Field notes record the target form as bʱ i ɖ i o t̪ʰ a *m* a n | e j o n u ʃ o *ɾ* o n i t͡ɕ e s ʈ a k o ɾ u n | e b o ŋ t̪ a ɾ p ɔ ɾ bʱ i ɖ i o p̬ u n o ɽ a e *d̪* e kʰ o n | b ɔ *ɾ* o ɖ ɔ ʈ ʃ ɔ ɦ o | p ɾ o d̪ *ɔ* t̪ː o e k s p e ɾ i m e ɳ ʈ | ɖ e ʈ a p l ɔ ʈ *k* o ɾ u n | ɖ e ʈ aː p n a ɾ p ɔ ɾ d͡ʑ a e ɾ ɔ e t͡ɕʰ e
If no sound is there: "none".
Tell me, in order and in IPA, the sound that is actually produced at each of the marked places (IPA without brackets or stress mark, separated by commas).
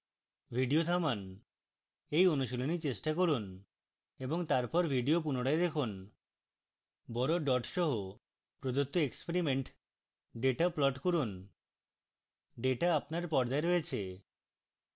m, l, d̪, ɾ, o, k